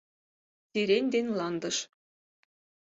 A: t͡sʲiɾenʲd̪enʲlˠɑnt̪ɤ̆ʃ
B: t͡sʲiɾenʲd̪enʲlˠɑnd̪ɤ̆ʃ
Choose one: B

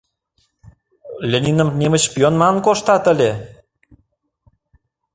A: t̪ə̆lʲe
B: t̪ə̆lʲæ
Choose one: A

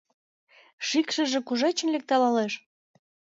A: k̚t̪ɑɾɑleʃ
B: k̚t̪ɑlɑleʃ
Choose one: B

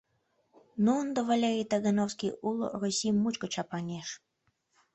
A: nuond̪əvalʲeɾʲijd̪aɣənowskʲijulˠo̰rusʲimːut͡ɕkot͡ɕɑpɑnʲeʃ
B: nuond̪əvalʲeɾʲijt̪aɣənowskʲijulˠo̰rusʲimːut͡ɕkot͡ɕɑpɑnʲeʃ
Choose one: B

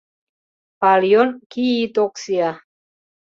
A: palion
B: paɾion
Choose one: A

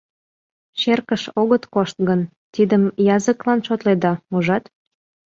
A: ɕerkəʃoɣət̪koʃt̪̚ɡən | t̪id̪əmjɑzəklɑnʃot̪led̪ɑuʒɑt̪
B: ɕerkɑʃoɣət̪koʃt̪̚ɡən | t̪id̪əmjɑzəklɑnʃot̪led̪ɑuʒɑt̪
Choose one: A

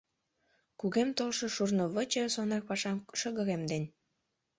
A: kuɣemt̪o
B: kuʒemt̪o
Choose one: A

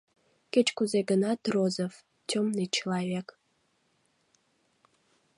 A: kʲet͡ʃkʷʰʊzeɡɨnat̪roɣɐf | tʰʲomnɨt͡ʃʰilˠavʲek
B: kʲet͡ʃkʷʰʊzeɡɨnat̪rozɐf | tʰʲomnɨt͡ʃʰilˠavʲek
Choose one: B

